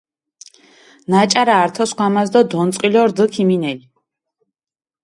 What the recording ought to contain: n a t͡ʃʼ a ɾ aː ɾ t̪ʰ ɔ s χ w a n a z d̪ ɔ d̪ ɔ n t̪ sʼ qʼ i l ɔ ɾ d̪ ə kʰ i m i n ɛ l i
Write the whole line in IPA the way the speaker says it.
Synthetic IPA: n a t͡ʃʼ a ɾ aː ɾ t̪ʰ ɔ s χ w a m a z d̪ ɔ d̪ ɔ n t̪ sʼ qʼ i l ɔ ɾ d̪ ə kʰ i m i n ɛ l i